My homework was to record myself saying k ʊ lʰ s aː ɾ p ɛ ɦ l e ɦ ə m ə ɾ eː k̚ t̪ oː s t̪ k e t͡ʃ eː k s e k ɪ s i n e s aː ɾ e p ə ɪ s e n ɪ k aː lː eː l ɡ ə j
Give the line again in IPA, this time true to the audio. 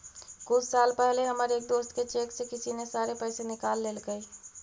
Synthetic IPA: k ʊ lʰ s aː l p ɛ ɦ l e ɦ ə m ə ɾ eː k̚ d̪ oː s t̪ k e t͡ʃ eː k s e k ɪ s i n e s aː ɾ e p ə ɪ s e n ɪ k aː lː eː l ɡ ə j